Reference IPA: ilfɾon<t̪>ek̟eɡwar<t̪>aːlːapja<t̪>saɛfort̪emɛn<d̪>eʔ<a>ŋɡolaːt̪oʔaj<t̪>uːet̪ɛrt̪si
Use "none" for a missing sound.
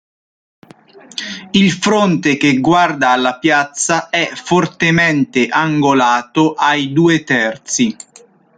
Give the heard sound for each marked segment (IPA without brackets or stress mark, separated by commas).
t̪, d̪, t̪, t̪, a, d̪